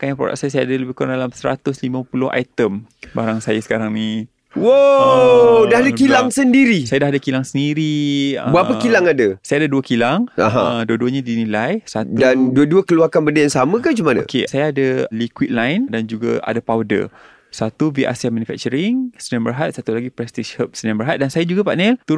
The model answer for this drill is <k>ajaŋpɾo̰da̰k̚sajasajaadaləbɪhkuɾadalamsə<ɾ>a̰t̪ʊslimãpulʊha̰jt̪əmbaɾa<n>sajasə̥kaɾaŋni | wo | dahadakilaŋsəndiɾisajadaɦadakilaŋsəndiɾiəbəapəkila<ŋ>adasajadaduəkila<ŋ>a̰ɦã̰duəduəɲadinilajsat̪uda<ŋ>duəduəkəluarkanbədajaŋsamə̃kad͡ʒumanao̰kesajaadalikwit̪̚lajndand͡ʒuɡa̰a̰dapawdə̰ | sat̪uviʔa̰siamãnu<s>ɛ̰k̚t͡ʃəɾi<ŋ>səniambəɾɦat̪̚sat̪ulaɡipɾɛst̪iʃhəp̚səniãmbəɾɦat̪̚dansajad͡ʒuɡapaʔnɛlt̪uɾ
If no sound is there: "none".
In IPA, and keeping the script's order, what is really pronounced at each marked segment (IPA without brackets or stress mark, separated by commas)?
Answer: k, ɾ, ŋ, ŋ, ŋ, n, f, ŋ